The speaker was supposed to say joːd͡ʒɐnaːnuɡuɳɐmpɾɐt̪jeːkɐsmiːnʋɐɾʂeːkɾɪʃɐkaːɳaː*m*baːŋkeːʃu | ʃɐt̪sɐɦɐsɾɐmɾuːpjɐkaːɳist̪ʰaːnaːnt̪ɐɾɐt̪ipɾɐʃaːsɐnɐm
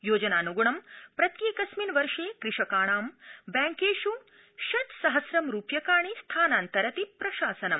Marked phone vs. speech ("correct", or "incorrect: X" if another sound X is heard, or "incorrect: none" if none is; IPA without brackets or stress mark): correct